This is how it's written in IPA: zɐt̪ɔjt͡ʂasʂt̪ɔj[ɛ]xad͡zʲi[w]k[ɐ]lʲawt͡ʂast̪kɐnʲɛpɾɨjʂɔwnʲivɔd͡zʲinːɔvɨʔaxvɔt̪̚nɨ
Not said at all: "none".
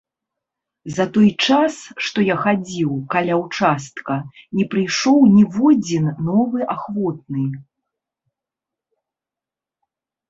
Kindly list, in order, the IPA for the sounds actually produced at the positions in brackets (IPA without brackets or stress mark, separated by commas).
a, w, a